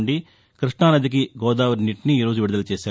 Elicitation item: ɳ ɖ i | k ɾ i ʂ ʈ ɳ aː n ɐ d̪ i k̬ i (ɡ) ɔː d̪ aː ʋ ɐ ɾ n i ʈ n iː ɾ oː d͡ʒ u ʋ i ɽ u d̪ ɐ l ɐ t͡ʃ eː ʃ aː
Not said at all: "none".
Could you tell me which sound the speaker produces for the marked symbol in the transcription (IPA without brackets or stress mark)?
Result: ɡ